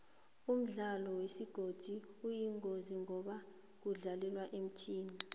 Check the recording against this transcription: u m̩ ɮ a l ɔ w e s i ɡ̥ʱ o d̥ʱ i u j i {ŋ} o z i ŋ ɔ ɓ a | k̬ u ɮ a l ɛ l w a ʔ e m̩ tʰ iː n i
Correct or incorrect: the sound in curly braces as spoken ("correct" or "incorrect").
correct